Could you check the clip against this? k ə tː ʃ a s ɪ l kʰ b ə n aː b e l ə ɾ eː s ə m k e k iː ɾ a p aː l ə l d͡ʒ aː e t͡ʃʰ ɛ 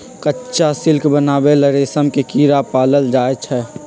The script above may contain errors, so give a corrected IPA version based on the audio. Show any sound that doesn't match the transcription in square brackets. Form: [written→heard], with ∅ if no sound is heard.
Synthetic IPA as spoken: k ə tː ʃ a s ɪ l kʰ b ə n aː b e l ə ɾ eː s ə m k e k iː ɾ a p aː l ə l d͡ʒ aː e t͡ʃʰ ɛ